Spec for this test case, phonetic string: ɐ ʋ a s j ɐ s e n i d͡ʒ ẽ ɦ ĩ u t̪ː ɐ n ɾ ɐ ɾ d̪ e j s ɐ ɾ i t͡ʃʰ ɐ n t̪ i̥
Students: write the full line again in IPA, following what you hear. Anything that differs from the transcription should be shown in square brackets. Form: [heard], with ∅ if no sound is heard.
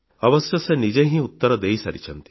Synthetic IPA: ɐ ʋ [ɐ] s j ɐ s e n i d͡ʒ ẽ ɦ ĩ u t̪ː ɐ [∅] ɾ ɐ [∅] d̪ e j s ɐ ɾ i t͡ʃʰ ɐ n t̪ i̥